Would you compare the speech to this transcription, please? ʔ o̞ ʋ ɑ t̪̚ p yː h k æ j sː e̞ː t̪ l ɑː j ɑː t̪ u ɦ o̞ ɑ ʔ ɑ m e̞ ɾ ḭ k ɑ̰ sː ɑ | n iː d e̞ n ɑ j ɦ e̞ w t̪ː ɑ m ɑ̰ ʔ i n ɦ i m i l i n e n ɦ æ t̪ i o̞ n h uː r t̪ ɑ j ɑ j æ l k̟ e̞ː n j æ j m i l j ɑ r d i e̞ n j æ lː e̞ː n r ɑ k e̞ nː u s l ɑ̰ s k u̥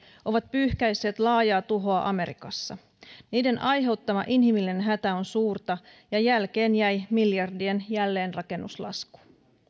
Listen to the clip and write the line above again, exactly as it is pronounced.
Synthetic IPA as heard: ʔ o̞ ʋ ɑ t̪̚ p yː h k æ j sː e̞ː t̪ l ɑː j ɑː t̪ u ɦ o̞ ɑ ʔ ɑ m e̞ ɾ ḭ k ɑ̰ sː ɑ | n iː d e̞ n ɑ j ɦ e̞ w t̪ː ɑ m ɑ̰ ʔ i n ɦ i m i l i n e n ɦ æ t̪ æ o̞ n s uː r t̪ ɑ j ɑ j æ l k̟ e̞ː n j æ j m i l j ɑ r d i e̞ n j æ lː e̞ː n r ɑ k e̞ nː u s l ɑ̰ s k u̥